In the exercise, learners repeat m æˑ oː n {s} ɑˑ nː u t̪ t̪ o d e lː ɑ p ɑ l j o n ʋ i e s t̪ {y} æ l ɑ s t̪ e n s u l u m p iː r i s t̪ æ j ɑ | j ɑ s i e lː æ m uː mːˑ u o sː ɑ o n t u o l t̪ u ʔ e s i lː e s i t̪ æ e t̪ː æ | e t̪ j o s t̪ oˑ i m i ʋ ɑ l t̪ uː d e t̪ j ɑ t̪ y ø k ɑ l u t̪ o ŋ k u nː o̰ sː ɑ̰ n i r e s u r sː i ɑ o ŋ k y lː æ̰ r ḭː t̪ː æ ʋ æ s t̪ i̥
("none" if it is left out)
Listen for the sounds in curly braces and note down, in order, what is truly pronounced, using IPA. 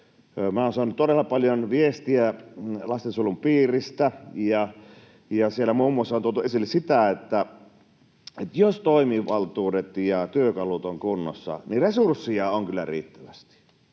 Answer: s, i

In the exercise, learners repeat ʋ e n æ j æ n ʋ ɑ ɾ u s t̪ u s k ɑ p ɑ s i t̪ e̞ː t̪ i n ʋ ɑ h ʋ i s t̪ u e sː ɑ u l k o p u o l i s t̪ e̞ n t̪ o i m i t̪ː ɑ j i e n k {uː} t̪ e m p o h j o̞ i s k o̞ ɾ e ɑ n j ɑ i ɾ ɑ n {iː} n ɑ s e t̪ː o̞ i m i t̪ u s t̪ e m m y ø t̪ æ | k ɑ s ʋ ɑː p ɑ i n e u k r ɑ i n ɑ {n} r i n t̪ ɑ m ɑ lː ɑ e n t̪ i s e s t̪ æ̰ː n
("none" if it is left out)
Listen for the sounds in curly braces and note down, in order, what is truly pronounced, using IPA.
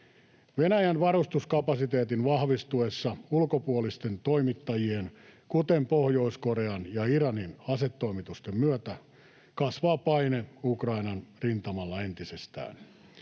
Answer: u, i, n

